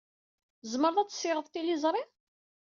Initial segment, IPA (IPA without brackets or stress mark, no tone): z